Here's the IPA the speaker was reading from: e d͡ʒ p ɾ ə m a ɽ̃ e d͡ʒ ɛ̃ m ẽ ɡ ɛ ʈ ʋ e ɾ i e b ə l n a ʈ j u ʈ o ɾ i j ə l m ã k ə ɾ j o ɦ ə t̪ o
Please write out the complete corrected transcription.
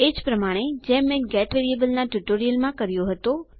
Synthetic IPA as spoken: e d͡ʒ p ɾ ə m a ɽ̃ e d͡ʒ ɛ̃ m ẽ ɡ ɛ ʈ ʋ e ɾ i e b ə l n a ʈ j u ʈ o ɾ i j ə l m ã k ə ɾ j o ɦ ə t̪ o